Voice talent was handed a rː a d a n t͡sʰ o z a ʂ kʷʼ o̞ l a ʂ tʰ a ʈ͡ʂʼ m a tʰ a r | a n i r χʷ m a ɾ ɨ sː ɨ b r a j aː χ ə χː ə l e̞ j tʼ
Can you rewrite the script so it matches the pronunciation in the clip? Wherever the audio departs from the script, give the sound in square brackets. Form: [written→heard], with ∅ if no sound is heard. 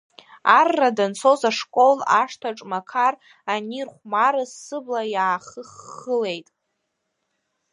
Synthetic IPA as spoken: a rː a d a n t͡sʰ o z a ʂ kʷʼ o̞ l a ʂ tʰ a ʈ͡ʂʼ m a [tʰ→kʰ] a r | a n i r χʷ m a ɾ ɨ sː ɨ b [r→l] a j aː χ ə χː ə l e̞ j tʼ

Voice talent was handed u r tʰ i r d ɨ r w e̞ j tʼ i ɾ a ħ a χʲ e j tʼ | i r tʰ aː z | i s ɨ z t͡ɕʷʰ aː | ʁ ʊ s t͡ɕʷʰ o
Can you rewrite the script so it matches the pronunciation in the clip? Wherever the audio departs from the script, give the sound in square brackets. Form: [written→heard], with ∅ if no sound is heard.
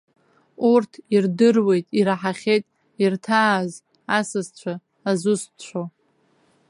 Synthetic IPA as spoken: u r tʰ i r d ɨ r w e̞ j tʼ i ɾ a ħ a χʲ e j tʼ | i r tʰ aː z | [i→a] s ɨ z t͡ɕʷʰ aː | [ʁ→z] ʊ s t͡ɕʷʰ o

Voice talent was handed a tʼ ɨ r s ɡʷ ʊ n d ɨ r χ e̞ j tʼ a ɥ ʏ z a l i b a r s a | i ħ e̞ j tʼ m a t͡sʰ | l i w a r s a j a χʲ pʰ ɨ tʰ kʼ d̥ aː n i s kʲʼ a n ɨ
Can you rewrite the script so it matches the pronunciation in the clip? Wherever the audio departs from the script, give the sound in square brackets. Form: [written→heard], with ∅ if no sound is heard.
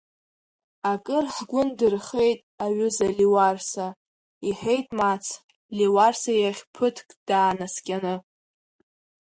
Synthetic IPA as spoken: a [tʼ→kʼ] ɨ r [s→ħ] ɡʷ ʊ n d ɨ r χ e̞ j tʼ a ɥ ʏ z a l i [b→w] a r s a | i ħ e̞ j tʼ m a t͡sʰ | l i w a r s a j a χʲ pʰ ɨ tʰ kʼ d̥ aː n [i→a] s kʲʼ a n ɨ

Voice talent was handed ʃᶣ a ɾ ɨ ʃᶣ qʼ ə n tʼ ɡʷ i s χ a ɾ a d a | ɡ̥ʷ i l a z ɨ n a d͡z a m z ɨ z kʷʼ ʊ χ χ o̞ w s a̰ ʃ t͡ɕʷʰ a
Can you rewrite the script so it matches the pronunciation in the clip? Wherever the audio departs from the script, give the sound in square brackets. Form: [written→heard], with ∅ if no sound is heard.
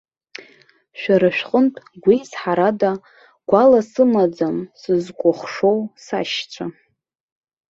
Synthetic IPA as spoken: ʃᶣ a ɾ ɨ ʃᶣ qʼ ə n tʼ ɡʷ i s [χ→ħ] a ɾ a d a | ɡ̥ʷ [i→a] l a [z→s] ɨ [n→m] a d͡z a m [z→s] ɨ z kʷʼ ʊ χ [χ→ʂ] o̞ w s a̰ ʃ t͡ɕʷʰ a

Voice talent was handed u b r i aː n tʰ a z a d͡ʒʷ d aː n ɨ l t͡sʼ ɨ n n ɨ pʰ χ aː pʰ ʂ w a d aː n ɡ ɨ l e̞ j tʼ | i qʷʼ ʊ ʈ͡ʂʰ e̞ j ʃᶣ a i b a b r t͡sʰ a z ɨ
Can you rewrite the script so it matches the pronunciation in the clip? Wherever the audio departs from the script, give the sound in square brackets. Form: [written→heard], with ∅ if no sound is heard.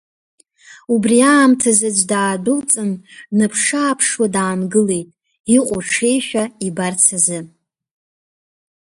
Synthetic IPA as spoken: u b r i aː [n→m] tʰ a z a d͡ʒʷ d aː [n→d] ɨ l t͡sʼ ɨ n n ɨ pʰ [χ→ʂ] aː pʰ ʂ w a d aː n ɡ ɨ l e̞ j tʼ | i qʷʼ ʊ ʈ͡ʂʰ e̞ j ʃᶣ a i b a [b→∅] r t͡sʰ a z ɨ

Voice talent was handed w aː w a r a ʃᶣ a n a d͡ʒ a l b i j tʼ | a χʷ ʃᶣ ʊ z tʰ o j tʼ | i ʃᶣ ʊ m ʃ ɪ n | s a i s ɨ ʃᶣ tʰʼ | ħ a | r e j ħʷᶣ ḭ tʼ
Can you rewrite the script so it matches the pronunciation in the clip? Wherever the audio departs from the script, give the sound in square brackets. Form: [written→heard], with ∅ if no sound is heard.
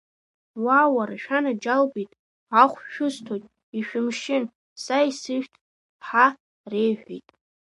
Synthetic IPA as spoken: w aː w a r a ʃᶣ a n a d͡ʒ a l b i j tʼ | a χʷ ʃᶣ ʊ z tʰ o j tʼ | i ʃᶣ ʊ m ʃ ɪ n | s a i s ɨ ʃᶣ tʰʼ | ħ a | r e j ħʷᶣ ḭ tʼ

